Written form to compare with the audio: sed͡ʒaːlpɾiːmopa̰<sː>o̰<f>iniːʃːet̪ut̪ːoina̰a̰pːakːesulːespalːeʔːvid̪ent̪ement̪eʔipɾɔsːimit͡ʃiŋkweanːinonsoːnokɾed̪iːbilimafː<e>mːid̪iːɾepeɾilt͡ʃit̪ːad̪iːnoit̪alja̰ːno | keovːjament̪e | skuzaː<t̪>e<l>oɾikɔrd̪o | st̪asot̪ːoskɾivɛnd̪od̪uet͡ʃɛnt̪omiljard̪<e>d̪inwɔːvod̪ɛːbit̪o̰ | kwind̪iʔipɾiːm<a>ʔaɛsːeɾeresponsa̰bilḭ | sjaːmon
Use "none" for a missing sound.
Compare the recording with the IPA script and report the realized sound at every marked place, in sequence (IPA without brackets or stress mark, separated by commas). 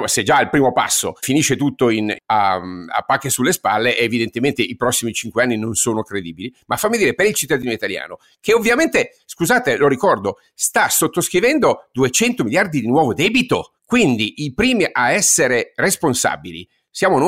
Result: sː, f, a, t̪, l, i, i